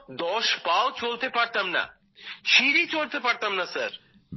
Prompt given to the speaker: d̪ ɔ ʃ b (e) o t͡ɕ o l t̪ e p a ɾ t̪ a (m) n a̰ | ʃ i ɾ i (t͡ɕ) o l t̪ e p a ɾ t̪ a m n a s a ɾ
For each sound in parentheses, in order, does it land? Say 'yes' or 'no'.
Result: no, yes, yes

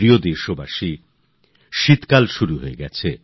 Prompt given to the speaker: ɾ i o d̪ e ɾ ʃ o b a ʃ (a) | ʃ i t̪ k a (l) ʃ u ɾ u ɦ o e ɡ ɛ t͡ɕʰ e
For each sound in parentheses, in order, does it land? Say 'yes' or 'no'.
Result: no, yes

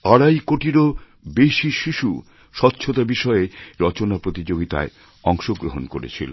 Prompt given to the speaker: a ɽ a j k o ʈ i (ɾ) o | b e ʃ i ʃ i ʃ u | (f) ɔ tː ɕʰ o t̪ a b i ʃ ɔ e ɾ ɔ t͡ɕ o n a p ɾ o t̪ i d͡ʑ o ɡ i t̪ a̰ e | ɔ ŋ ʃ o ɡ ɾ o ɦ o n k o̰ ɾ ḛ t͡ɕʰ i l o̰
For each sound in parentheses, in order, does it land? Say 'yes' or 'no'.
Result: yes, no

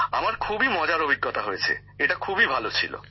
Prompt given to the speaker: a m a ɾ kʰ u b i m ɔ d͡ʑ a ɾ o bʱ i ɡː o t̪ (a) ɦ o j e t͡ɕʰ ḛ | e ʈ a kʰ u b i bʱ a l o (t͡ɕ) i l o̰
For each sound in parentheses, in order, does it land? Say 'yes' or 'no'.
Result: yes, no

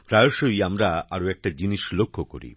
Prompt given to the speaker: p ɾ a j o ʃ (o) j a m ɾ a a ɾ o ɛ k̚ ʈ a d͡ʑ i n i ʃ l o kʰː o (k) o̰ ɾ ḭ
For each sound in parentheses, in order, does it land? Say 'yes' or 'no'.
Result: yes, yes

